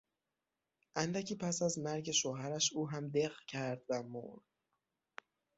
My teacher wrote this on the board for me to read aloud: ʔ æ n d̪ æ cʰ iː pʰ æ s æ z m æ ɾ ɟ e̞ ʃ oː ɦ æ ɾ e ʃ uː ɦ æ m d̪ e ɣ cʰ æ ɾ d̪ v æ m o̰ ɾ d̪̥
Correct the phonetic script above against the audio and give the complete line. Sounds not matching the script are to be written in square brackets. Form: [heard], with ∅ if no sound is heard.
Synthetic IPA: ʔ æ n d̪ æ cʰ iː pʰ æ s æ z m æ ɾ ɟ e̞ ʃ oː ɦ æ ɾ [æ] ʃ uː ɦ æ m d̪ e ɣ cʰ æ ɾ d̪ v æ m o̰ ɾ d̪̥